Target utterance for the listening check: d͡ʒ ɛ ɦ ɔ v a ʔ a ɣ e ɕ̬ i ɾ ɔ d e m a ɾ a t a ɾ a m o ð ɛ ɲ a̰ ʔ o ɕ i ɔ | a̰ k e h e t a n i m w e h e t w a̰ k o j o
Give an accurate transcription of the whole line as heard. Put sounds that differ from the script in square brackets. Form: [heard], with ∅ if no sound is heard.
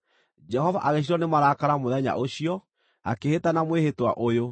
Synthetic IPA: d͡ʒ ɛ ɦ ɔ v a ʔ a ɣ e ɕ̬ i ɾ ɔ [n] e m a ɾ a [k] a ɾ a m o ð ɛ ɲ a̰ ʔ o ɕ i ɔ | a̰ k e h e t a n [a] m w e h e t w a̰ [ʔ] o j o